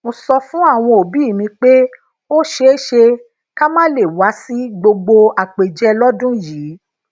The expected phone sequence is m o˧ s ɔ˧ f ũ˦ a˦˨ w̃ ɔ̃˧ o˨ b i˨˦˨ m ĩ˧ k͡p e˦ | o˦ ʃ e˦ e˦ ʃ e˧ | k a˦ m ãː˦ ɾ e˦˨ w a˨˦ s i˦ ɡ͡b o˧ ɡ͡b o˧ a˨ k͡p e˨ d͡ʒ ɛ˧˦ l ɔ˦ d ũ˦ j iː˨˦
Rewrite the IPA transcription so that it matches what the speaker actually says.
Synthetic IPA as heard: m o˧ s ɔ˧ f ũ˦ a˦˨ w̃ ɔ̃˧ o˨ b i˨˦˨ m ĩ˧ k͡p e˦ | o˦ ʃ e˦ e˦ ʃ e˧ | k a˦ m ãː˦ l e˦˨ w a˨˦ s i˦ ɡ͡b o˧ ɡ͡b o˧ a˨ k͡p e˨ d͡ʒ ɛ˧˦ l ɔ˦ d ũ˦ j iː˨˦